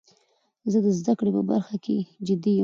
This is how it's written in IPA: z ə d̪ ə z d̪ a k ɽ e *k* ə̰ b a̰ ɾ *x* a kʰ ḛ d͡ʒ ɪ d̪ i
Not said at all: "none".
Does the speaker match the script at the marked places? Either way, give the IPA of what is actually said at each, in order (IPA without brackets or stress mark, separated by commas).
p, x